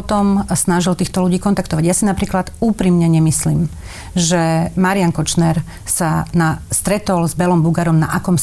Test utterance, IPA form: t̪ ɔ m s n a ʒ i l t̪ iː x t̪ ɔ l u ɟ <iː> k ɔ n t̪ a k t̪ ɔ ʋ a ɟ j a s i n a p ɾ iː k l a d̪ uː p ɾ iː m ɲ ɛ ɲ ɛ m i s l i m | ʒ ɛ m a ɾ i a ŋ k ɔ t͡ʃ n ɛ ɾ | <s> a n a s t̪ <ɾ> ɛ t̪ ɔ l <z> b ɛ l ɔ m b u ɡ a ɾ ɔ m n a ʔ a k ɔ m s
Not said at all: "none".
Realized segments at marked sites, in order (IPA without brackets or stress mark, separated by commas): iː, s, ɾ, z